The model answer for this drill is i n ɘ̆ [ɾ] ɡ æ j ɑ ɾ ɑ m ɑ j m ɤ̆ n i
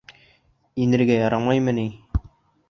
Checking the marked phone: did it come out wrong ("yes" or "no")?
no